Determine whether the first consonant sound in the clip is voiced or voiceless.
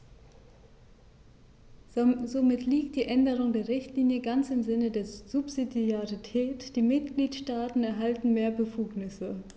voiced